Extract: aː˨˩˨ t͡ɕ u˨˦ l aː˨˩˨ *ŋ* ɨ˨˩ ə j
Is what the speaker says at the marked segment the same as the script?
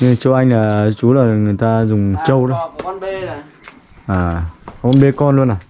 yes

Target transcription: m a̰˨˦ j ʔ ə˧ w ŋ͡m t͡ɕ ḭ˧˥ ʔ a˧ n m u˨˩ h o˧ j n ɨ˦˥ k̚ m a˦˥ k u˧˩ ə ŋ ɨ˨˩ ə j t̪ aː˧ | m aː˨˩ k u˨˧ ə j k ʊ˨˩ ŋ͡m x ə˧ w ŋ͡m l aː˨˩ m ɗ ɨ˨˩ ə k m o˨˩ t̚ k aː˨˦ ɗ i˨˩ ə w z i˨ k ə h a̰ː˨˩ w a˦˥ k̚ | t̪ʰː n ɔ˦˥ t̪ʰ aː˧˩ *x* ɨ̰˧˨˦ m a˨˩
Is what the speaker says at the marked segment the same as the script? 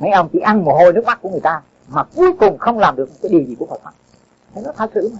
no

